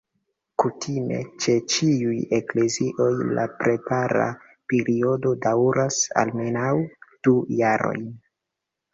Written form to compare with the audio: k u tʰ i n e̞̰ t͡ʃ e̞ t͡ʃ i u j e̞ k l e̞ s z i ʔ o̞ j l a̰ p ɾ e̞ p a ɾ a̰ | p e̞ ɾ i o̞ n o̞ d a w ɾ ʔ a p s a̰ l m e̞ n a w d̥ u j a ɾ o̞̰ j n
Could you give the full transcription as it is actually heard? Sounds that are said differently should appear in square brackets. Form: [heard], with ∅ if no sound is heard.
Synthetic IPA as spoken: k u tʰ i [m] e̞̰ t͡ʃ e̞ t͡ʃ i u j e̞ k l e̞ [∅] z i ʔ o̞ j l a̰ p ɾ e̞ p a ɾ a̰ | p e̞ ɾ i o̞ [d] o̞ d a w ɾ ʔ a [∅] s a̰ l m e̞ n a w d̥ u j a ɾ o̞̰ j n